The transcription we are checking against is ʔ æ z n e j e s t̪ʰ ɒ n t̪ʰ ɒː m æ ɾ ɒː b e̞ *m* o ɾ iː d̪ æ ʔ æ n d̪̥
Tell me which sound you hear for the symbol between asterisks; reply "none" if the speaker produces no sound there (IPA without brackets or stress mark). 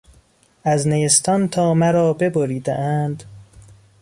b